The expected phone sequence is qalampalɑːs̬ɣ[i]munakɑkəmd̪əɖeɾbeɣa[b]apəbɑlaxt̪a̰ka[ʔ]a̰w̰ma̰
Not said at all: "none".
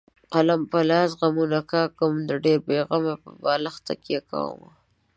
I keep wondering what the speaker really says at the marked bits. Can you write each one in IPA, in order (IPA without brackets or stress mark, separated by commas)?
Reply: a, m, k